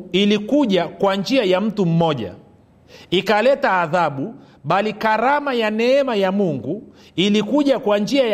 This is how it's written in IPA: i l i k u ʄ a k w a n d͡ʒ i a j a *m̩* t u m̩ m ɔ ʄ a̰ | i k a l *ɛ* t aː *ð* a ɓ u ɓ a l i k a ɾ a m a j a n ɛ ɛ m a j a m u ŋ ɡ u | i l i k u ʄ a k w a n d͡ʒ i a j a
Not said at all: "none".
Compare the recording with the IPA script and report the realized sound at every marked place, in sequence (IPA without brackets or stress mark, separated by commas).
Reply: m̩, ɛ, ð